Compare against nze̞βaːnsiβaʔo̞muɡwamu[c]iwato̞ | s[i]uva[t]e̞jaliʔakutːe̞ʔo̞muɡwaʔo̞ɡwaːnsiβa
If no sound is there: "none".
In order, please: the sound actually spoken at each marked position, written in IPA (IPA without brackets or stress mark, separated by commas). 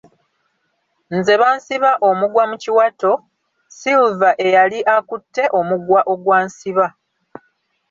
c, i, ʔ